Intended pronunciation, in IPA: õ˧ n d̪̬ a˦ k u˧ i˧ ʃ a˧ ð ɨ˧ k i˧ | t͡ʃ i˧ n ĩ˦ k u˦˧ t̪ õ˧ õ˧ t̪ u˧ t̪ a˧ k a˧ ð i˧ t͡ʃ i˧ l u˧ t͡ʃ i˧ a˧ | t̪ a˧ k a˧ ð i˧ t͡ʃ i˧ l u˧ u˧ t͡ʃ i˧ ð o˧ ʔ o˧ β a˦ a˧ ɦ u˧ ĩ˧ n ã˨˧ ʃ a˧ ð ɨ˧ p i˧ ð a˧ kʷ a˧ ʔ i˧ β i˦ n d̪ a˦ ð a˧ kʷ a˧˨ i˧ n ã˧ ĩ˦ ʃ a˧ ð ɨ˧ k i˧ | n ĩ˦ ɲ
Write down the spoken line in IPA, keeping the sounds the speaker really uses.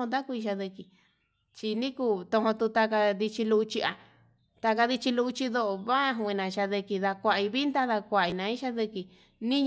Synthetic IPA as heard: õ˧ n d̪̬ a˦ k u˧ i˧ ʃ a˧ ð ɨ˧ k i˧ | t͡ʃ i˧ n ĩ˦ k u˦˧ t̪ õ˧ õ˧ t̪ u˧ t̪ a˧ k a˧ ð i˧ t͡ʃ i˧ l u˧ t͡ʃ i˧ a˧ | t̪ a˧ k a˧ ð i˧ t͡ʃ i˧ l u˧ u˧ t͡ʃ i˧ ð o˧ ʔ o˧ β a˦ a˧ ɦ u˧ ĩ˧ n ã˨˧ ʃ a˧ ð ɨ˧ k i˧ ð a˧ kʷ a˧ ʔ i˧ β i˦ n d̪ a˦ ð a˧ kʷ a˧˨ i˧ n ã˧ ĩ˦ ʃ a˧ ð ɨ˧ k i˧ | n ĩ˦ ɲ